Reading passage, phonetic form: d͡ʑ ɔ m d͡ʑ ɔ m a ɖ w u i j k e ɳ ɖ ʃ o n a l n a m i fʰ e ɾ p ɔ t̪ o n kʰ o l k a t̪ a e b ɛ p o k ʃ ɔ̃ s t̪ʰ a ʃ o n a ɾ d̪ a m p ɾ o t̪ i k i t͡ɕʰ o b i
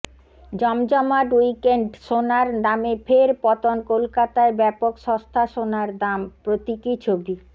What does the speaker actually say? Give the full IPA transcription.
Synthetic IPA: d͡ʑ ɔ m d͡ʑ ɔ m a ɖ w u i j k e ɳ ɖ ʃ o n a ɾ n a m e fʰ e ɾ p ɔ t̪ o n k o l k a t̪ a e b ɛ p o k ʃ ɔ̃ s t̪ʰ a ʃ o n a ɾ d̪ a m p ɾ o t̪ i k i t͡ɕʰ o b i